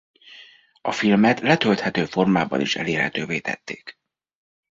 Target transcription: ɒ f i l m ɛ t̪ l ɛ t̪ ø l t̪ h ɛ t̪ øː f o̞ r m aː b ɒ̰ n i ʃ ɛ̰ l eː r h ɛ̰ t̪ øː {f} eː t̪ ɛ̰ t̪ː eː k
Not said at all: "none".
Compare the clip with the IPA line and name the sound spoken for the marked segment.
v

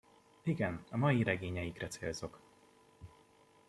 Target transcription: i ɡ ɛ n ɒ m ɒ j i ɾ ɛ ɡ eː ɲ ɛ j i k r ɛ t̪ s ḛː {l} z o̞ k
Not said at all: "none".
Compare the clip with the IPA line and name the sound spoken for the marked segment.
l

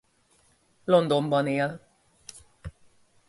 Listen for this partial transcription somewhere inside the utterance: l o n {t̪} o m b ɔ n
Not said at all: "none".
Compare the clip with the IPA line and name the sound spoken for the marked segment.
d̪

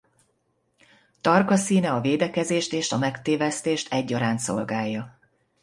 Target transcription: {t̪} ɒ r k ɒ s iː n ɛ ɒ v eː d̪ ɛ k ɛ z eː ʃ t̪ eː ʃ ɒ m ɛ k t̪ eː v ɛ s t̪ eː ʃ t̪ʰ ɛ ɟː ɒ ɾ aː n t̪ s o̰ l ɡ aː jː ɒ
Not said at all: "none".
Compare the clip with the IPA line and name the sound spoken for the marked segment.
t̪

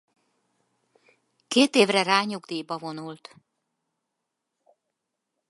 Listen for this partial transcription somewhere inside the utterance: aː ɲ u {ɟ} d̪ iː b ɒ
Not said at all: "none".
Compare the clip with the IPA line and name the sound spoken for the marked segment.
ɡ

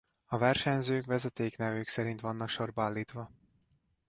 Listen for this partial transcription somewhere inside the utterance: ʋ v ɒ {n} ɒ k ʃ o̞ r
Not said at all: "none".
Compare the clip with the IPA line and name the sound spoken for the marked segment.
nː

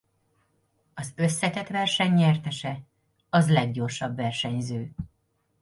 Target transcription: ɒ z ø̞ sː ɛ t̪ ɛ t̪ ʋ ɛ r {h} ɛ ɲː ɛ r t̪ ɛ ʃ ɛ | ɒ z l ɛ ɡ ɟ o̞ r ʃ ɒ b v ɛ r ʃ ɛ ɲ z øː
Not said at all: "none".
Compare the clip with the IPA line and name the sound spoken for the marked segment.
ʃ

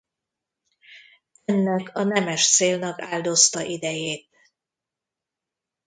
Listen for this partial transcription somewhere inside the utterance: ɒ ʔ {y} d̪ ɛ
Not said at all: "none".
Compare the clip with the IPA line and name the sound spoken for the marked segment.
i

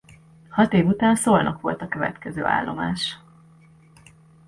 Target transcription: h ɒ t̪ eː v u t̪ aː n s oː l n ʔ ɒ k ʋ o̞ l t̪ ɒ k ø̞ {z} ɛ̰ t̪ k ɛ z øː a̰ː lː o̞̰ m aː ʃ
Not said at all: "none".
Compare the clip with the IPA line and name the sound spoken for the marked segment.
v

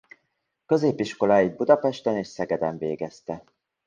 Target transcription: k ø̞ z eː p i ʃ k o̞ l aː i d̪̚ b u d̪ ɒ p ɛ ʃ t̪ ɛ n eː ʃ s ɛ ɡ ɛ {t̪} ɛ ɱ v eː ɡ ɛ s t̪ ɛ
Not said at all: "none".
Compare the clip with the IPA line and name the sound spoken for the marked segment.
d̪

